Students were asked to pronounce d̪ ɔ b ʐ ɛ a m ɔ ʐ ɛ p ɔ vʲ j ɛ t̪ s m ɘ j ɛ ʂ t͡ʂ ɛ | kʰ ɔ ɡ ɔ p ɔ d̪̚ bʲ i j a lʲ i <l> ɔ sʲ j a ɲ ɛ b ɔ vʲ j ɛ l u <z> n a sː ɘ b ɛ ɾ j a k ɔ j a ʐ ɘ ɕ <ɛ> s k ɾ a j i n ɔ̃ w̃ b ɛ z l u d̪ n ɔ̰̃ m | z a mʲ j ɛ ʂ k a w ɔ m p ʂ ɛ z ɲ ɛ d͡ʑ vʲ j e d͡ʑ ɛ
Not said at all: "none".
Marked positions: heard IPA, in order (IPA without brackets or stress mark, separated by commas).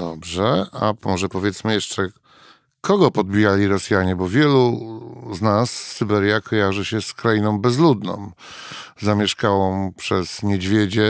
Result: ɾ, z, ɛ